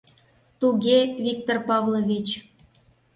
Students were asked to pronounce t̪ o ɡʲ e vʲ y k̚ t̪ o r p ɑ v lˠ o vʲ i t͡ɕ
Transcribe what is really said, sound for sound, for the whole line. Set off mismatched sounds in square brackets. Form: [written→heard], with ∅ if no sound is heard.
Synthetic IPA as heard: t̪ [o→u] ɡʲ e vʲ [y→i] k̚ t̪ o r p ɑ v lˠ o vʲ i t͡ɕ